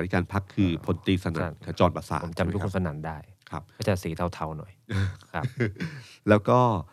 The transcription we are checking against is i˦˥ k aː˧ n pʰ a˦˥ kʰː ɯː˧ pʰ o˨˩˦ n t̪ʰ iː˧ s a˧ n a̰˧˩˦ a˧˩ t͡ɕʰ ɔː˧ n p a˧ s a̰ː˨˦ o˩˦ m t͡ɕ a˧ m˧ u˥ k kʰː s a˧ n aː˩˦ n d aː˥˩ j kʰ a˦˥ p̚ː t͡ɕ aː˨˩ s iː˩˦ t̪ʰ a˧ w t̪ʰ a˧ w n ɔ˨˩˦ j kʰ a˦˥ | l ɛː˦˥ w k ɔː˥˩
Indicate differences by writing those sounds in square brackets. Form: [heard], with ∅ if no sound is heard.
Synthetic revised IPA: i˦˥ k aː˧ n pʰ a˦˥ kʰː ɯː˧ pʰ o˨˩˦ n [t̪] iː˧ s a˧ n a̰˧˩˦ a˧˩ [t͡ɕ] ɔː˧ n p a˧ s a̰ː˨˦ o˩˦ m t͡ɕ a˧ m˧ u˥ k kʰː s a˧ n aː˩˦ n d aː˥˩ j kʰ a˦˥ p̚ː t͡ɕ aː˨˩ s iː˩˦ t̪ʰ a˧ w t̪ʰ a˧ w n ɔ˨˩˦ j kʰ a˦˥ | l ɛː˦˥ w k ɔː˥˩